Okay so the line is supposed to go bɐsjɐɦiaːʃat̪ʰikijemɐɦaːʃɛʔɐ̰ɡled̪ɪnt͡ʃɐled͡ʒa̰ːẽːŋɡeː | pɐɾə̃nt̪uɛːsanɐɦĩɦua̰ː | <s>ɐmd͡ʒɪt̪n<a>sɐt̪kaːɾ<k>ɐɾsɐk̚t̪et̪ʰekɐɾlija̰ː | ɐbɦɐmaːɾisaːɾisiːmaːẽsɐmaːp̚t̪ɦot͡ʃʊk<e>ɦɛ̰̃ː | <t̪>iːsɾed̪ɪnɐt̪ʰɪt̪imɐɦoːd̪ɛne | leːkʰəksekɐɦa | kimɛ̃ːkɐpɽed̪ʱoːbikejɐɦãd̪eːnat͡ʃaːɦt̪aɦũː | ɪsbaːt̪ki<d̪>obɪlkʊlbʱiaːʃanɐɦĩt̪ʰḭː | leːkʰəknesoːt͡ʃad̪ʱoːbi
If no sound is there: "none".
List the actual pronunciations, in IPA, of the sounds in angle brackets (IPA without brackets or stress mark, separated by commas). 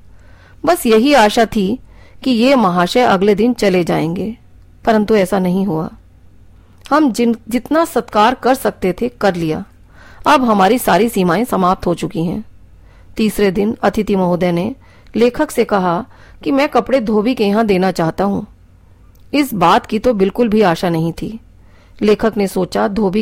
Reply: h, a, k, i, t̪, t̪